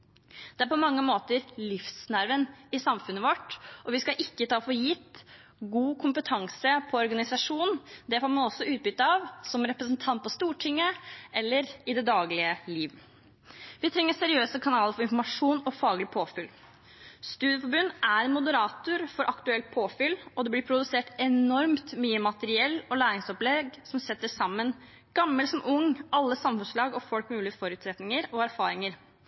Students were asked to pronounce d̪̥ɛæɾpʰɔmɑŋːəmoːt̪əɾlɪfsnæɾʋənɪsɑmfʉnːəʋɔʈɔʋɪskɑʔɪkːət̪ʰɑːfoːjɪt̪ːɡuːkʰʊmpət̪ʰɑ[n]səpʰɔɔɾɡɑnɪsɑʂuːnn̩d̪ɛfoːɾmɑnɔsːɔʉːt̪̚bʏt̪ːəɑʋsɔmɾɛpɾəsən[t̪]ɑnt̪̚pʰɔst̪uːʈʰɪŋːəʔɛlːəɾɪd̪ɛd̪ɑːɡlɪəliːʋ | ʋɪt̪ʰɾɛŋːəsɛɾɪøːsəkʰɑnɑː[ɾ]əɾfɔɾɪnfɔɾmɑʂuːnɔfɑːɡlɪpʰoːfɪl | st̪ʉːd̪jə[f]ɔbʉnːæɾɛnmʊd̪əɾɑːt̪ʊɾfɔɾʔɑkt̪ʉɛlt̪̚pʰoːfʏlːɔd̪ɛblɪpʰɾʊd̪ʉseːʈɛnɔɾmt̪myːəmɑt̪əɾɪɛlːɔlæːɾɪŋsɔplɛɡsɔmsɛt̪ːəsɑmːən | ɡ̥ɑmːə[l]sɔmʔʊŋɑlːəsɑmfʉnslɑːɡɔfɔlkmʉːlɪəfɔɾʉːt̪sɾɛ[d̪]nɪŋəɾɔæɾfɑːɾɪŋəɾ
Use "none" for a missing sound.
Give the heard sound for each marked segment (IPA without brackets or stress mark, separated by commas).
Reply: ŋ, t̪ʰ, l, f, l, t̪